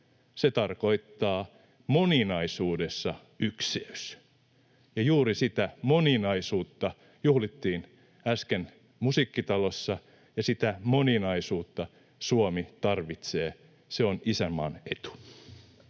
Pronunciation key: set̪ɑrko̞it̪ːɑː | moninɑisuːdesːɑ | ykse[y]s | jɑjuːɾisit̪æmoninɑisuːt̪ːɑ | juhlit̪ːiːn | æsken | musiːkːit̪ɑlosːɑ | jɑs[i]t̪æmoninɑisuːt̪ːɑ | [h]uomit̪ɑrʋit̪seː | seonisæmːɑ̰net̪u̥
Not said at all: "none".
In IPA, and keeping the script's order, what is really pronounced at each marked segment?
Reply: y, i, s

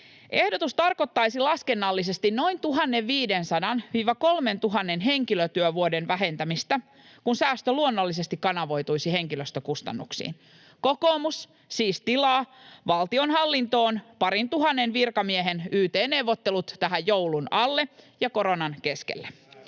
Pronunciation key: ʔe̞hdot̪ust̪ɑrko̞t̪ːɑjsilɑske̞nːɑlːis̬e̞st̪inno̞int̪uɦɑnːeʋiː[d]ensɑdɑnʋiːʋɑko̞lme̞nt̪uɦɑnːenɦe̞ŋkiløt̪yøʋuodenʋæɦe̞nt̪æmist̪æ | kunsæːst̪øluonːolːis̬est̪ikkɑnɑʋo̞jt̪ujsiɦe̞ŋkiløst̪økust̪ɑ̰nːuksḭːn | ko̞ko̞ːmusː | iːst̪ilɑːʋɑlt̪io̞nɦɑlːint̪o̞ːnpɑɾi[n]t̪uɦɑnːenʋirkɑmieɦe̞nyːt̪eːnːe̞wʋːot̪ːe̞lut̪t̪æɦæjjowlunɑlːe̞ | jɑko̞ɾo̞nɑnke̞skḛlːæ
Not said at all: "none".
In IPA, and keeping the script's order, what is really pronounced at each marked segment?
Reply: d, n

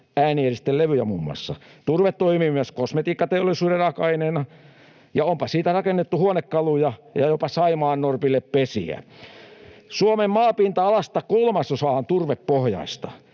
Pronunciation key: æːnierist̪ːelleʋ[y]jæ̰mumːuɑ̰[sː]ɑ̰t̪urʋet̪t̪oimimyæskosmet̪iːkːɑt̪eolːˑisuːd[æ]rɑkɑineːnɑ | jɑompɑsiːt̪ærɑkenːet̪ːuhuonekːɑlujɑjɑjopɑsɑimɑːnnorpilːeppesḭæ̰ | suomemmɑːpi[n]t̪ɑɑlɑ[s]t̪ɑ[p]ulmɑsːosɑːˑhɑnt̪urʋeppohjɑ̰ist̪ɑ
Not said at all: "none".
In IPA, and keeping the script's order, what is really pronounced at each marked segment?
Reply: y, sː, e, n, s, k

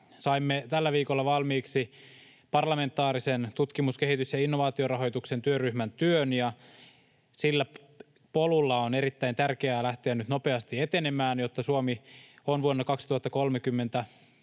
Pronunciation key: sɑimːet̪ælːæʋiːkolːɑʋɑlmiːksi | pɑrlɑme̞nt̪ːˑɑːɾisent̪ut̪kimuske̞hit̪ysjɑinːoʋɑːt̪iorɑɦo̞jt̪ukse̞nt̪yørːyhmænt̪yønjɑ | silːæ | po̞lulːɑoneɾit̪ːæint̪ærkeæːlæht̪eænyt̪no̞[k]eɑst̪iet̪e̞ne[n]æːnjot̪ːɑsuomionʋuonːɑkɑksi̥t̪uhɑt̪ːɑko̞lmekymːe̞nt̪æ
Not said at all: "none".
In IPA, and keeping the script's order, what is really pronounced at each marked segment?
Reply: p, m

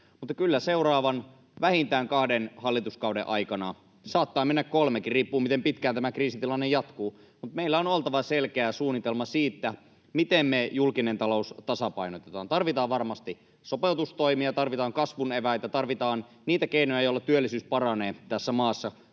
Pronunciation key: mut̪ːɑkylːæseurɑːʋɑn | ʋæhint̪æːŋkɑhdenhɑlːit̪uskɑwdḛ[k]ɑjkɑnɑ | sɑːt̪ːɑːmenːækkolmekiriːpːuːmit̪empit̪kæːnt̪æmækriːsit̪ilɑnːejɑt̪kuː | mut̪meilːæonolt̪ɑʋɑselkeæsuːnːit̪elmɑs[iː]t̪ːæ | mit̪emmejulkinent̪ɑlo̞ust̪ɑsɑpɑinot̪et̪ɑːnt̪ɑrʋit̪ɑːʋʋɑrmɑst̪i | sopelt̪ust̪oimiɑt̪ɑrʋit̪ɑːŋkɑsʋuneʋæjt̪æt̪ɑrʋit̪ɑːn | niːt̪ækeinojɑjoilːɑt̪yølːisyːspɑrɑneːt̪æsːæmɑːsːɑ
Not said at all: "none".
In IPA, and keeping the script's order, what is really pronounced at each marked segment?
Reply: ʔ, iː

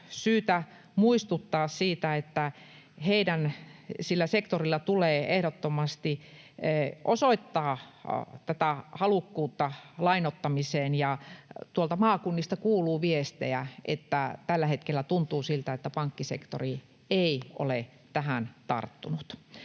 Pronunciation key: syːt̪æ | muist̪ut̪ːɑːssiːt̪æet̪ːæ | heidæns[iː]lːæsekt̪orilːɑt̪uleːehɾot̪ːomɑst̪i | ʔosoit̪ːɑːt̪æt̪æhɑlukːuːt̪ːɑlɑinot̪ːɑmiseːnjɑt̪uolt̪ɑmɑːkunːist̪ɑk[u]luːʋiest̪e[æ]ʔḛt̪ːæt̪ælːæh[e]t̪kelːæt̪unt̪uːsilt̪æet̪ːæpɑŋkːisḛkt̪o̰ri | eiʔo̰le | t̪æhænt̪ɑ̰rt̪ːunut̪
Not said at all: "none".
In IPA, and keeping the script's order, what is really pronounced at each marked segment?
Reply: i, uː, æ, e

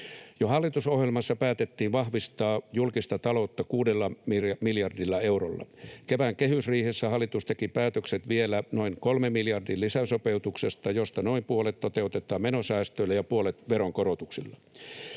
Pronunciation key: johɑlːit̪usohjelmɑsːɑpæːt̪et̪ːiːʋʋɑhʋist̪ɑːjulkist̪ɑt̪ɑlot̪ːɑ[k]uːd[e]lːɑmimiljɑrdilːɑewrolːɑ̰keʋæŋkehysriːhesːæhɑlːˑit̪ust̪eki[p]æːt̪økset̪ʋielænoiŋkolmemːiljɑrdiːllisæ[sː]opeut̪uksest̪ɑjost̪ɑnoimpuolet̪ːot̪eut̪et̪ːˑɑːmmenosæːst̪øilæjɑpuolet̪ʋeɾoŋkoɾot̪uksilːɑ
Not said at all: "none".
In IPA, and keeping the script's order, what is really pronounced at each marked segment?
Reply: k, e, p, s

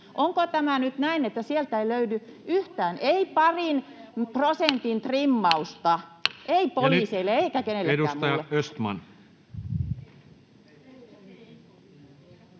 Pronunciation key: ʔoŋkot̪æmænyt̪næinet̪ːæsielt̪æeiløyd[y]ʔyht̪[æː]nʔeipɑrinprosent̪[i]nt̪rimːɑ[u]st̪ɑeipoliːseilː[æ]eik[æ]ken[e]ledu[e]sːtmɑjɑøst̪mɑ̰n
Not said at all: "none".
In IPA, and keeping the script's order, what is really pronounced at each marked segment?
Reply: y, æː, i, u, e, æ, e, æ

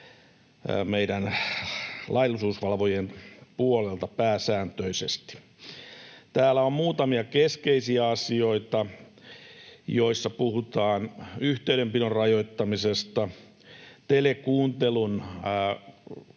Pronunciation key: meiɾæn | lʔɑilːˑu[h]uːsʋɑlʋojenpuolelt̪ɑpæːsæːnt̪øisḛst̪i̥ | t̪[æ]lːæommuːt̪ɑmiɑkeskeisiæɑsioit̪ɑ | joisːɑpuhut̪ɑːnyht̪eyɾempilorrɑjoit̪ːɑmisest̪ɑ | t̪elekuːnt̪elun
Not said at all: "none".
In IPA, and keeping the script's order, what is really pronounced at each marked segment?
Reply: s, æː

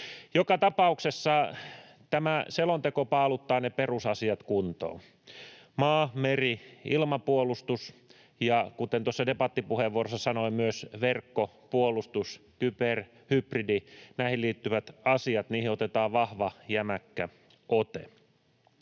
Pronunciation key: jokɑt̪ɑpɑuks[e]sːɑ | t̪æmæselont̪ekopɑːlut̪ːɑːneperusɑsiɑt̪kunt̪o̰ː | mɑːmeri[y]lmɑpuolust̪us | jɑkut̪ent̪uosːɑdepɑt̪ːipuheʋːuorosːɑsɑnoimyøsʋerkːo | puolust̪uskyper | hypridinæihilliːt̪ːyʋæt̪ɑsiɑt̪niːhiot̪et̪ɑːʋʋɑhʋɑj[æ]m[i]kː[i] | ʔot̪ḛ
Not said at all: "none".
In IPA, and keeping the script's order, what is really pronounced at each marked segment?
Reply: e, i, æ, æ, æ

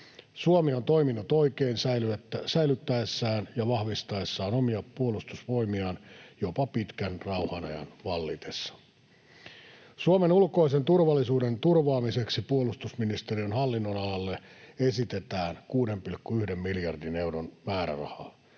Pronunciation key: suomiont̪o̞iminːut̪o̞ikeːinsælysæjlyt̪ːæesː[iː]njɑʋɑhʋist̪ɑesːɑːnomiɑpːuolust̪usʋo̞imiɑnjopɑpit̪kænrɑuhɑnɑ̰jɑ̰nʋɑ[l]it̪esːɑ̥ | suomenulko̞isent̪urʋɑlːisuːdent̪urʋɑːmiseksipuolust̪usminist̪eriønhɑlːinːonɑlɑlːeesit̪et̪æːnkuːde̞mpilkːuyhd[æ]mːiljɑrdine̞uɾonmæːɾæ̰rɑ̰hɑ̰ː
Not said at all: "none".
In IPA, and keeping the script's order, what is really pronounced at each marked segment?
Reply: æː, lː, e

